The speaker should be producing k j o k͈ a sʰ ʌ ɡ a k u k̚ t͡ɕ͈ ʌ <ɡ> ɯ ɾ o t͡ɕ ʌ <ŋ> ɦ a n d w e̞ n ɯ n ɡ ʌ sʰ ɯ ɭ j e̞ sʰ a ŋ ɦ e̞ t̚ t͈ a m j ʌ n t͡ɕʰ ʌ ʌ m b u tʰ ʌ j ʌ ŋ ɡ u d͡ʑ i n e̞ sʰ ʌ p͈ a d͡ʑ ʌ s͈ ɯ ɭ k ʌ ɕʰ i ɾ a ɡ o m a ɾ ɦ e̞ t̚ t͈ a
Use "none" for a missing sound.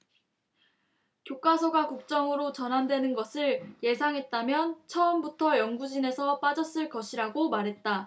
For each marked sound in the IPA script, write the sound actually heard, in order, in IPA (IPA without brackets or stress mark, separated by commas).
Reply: ŋ, n